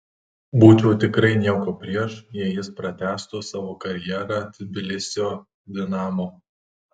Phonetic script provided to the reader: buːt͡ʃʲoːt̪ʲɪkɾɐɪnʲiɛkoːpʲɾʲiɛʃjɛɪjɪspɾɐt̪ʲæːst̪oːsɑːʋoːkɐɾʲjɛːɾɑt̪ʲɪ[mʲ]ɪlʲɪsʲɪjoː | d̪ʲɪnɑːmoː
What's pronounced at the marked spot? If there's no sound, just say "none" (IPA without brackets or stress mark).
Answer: bʲ